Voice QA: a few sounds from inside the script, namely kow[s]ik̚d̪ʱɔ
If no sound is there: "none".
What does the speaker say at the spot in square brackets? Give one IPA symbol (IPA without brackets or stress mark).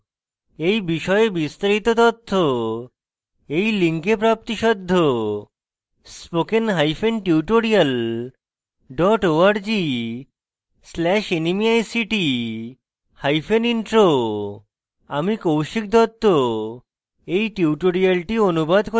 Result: ʃ